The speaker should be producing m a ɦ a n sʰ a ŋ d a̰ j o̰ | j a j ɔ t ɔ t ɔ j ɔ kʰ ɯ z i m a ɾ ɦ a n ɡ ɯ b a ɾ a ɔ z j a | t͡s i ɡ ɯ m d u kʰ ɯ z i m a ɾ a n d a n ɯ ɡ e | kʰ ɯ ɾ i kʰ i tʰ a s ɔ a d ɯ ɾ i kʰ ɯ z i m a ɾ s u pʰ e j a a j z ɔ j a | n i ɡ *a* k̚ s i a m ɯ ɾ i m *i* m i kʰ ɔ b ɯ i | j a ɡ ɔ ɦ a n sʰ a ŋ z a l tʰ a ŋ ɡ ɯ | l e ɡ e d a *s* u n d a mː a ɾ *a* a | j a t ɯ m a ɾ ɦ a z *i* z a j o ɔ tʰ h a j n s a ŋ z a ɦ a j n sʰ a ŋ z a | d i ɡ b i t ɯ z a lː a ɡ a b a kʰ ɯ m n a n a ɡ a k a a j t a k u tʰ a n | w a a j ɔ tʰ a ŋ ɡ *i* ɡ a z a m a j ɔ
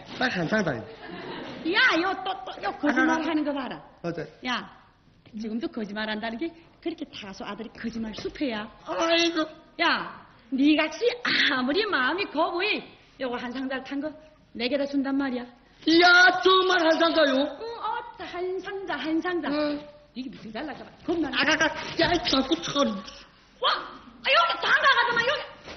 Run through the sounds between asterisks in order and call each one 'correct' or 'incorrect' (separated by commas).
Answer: correct, incorrect, correct, incorrect, incorrect, incorrect